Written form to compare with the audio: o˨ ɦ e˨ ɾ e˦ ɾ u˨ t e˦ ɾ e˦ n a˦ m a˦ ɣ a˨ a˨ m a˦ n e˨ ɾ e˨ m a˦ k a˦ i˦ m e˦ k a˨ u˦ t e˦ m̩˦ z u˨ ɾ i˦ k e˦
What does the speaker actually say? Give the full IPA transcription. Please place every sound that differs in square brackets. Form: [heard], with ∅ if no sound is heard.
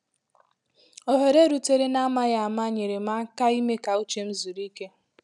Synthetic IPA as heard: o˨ ɦ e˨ ɾ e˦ ɾ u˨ t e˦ ɾ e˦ n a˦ m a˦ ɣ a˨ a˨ m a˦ [ɲ] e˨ ɾ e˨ m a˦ k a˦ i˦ m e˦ k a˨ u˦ [t͡ʃ] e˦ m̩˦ z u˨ ɾ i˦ k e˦